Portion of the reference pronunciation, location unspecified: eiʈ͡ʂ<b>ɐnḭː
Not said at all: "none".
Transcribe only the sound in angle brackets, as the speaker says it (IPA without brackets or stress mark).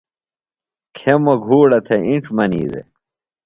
m